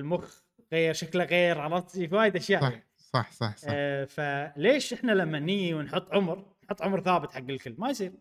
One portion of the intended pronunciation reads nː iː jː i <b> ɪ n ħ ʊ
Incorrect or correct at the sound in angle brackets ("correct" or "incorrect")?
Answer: incorrect